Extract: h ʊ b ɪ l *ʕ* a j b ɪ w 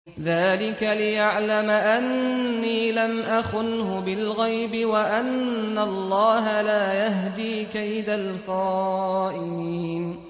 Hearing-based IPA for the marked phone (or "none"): ɣ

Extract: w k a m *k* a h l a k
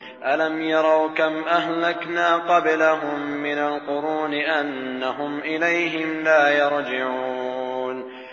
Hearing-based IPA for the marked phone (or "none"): ʔ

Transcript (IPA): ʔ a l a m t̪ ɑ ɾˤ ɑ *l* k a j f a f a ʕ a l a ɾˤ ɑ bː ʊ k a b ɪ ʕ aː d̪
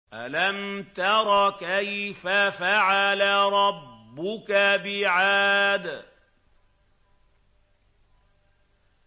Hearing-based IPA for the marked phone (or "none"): none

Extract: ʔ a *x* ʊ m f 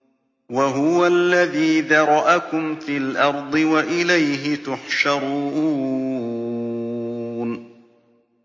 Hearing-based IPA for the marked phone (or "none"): k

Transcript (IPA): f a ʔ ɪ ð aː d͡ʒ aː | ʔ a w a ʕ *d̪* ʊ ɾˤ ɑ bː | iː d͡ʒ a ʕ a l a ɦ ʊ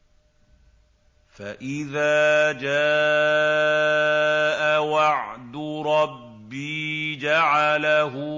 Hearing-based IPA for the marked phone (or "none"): d̪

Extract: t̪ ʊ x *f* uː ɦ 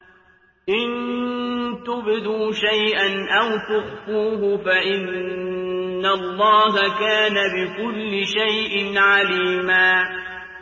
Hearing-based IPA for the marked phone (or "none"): f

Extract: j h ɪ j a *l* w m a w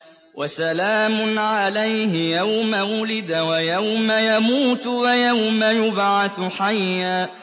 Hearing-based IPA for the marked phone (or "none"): none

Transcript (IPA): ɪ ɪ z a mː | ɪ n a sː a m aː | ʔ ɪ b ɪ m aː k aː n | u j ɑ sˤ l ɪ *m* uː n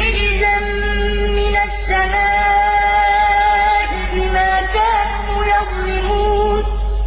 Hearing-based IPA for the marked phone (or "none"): m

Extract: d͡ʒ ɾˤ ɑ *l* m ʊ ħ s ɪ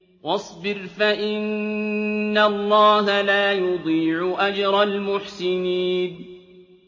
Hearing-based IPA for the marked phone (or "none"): l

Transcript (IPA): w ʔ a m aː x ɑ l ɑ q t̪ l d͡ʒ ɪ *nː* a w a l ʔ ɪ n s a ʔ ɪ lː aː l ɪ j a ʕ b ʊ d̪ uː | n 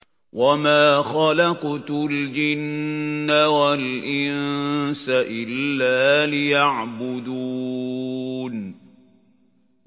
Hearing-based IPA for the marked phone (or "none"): nː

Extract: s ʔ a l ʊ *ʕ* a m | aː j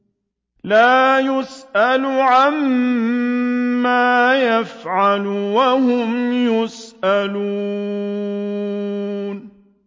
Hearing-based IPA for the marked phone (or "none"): ʕ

